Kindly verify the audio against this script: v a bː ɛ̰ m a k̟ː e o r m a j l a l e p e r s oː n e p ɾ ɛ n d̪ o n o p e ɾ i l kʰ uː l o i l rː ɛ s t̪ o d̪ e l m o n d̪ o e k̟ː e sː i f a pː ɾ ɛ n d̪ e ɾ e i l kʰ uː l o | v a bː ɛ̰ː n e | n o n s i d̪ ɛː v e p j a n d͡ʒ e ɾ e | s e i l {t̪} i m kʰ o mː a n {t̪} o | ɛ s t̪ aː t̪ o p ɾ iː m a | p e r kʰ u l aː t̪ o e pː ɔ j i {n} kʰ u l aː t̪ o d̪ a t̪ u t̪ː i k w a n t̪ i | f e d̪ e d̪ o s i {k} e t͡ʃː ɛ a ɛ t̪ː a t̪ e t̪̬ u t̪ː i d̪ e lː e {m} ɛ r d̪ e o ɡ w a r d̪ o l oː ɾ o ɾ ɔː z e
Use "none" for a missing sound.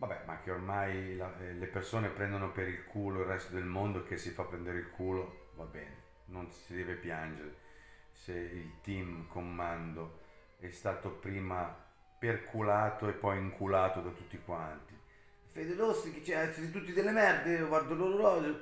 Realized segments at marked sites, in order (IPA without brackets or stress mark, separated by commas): t̪, d̪, ŋ, k, m